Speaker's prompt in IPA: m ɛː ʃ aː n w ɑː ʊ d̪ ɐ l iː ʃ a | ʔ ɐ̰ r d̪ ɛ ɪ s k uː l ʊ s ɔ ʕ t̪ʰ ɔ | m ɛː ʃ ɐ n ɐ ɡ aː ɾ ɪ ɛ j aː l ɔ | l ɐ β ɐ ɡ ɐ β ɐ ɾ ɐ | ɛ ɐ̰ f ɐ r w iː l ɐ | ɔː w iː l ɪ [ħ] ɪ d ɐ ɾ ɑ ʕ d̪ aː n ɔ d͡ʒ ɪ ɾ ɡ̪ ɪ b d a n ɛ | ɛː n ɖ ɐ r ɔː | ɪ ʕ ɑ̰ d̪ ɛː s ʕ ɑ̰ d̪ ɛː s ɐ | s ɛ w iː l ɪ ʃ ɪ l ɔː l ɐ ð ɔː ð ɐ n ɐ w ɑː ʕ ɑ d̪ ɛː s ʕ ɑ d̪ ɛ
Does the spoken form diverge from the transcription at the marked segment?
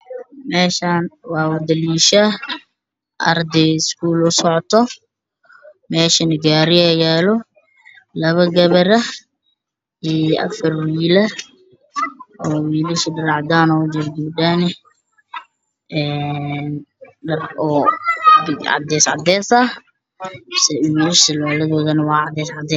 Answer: yes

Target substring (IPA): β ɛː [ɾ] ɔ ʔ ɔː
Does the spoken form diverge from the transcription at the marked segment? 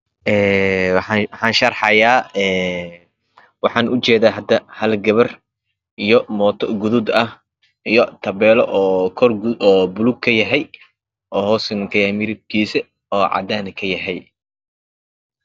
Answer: yes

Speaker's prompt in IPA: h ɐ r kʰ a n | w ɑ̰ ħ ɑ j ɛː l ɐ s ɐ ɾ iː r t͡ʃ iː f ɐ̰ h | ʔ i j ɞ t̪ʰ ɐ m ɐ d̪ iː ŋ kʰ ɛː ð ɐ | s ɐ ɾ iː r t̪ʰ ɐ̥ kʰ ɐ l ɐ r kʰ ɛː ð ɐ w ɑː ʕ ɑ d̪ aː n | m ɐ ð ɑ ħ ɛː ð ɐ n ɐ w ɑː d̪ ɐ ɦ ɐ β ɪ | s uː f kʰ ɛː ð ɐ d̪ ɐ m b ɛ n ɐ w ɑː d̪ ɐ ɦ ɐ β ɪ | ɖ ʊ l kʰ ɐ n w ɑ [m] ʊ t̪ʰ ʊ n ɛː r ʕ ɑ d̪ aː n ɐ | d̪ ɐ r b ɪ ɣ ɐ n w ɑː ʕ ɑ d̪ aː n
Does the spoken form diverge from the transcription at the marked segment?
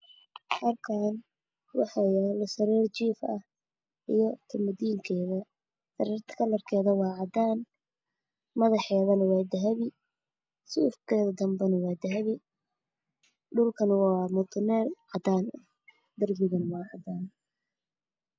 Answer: no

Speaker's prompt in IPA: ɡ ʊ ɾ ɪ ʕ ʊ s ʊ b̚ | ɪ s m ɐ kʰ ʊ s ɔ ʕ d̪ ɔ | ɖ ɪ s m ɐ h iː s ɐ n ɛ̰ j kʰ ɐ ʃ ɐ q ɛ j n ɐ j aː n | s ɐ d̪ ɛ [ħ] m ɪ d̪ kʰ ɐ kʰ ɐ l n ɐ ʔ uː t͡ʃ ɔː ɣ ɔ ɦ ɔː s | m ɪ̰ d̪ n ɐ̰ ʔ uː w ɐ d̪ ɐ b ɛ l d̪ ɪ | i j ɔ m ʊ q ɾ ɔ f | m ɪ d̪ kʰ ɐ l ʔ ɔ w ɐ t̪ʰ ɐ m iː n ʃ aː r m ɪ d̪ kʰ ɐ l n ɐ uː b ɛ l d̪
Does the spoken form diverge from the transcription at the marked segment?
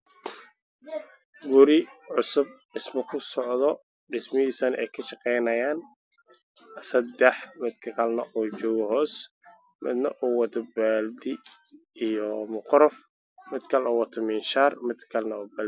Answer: no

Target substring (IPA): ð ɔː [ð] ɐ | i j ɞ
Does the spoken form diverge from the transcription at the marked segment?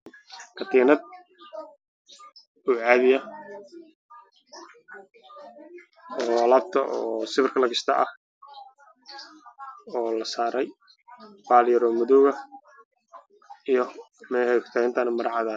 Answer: yes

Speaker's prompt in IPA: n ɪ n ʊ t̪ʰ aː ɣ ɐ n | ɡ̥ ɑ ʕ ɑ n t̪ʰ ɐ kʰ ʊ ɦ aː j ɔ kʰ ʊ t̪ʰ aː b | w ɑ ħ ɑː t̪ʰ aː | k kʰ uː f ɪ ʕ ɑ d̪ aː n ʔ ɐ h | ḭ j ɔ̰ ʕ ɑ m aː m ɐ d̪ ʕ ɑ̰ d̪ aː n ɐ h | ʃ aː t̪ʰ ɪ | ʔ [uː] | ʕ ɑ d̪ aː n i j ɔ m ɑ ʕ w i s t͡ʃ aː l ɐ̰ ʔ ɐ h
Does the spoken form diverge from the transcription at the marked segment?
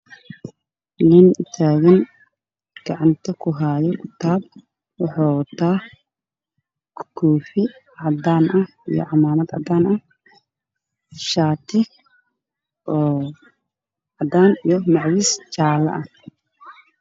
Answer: yes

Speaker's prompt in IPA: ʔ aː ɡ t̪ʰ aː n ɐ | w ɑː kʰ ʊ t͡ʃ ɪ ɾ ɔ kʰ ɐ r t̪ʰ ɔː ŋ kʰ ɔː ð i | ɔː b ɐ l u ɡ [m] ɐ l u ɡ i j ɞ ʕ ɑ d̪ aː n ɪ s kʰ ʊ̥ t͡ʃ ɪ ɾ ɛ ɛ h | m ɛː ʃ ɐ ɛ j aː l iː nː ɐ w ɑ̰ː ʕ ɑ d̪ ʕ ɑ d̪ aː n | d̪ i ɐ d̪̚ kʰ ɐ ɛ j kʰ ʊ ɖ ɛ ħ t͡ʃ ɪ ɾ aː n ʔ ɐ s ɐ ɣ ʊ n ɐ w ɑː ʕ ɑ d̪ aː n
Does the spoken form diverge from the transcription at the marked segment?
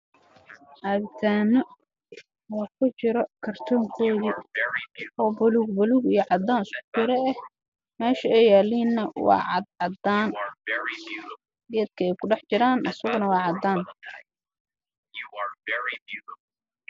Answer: yes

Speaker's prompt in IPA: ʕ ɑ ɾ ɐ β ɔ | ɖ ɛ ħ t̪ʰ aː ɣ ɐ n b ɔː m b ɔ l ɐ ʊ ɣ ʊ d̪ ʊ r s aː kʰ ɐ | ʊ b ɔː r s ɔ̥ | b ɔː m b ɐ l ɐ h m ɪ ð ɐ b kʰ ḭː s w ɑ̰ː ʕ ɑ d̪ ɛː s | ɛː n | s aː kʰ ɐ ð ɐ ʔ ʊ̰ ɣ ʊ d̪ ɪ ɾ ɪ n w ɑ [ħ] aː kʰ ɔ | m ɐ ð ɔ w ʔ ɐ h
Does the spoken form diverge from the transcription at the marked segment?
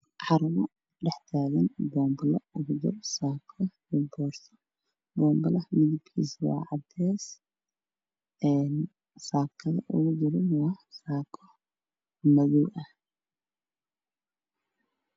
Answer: yes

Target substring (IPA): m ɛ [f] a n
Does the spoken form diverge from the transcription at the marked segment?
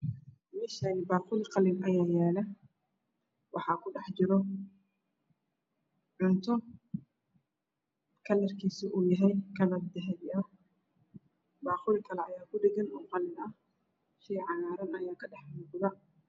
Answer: yes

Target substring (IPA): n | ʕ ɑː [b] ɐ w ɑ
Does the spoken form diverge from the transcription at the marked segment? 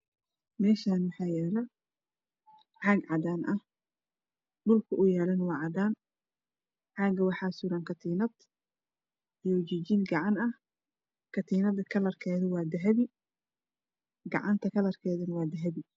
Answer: yes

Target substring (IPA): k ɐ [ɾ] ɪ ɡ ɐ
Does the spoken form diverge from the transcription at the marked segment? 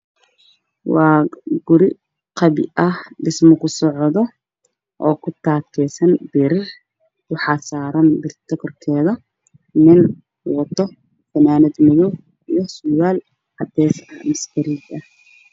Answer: no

